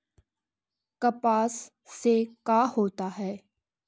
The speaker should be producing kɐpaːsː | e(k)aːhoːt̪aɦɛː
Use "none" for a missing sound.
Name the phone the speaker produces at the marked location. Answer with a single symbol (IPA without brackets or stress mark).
k